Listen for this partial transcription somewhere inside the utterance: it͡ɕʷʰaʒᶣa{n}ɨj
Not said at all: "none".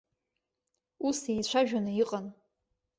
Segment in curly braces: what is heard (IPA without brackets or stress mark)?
n